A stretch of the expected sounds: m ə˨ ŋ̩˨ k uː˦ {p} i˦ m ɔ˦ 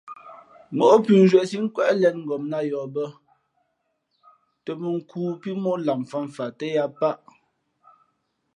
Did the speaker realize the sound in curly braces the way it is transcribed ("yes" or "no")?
yes